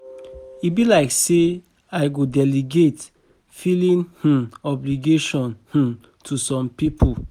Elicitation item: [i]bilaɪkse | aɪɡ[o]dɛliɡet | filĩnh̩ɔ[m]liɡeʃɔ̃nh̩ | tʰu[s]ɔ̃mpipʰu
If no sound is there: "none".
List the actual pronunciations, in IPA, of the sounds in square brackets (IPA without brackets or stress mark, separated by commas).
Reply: i, o, b, s